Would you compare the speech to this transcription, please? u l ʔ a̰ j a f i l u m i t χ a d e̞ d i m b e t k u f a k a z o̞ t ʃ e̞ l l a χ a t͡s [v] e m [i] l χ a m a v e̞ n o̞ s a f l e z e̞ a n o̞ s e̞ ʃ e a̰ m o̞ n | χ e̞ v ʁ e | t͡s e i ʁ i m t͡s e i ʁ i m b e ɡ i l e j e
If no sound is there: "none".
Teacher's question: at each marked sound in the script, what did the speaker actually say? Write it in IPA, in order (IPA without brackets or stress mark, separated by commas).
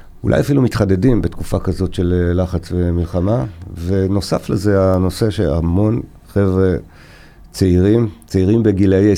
v, i